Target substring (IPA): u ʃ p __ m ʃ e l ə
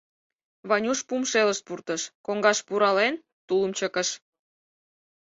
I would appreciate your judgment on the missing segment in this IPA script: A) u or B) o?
A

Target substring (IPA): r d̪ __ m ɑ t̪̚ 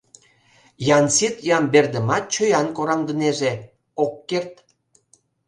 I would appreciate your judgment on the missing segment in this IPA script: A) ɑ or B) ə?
B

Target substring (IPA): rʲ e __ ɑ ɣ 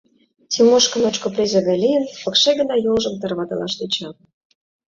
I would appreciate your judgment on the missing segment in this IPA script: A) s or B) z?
B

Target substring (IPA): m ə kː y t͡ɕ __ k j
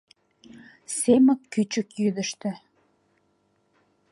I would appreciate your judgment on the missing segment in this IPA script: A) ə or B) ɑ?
A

